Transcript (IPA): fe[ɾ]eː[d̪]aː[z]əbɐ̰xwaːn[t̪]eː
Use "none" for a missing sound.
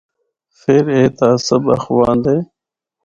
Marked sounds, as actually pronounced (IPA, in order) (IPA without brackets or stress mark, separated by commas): ɾ, t̪, s, d̪